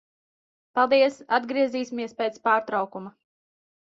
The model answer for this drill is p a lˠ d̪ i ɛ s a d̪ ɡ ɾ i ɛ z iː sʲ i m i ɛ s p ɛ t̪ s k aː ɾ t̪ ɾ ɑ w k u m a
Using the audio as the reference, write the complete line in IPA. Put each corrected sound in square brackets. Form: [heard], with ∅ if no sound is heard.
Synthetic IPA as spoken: p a lˠ d̪ i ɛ s a d̪ ɡ ɾ i ɛ z iː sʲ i m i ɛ s p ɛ t̪ s [p] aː ɾ t̪ ɾ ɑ w k u m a